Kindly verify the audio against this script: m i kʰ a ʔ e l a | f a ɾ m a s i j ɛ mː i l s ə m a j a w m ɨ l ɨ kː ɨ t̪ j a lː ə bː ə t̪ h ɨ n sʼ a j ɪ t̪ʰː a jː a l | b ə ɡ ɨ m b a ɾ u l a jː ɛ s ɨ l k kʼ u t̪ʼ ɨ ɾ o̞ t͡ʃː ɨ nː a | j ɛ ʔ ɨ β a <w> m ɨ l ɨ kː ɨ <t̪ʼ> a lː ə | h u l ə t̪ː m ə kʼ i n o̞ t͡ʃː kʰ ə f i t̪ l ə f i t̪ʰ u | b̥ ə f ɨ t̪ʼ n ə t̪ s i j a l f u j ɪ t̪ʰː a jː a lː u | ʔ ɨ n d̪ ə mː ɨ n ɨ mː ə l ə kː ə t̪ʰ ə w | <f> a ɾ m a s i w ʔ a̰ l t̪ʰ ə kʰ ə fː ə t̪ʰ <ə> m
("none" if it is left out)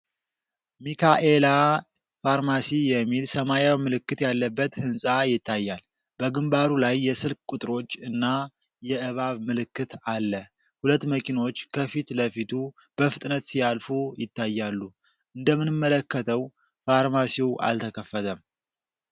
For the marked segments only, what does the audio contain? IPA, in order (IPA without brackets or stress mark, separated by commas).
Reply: β, t̪, f, ə